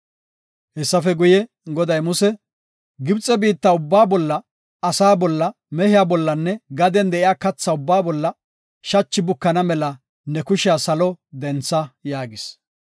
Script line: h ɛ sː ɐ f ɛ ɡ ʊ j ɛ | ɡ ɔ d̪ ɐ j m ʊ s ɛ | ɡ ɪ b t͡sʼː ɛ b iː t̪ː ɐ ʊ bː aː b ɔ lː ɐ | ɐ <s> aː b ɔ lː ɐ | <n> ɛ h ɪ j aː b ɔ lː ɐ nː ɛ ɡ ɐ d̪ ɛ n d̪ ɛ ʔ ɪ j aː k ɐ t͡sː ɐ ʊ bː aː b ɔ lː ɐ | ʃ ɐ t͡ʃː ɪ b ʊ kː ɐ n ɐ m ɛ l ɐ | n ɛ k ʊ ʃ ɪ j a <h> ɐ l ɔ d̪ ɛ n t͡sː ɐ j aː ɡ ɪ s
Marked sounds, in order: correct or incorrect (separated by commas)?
correct, incorrect, incorrect